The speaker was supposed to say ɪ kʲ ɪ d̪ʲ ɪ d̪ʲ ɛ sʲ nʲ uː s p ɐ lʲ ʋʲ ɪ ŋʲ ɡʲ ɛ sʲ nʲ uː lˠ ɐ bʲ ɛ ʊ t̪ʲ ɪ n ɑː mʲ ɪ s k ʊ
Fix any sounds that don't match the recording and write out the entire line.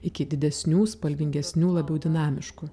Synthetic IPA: ɪ kʲ ɪ d̪ʲ ɪ d̪ʲ ɛ sʲ nʲ uː s p ɐ lʲ ʋʲ ɪ ŋʲ ɡʲ ɛ sʲ nʲ uː lˠ ɐ bʲ ɛ ʊ d̪ʲ ɪ n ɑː mʲ ɪ ʃ k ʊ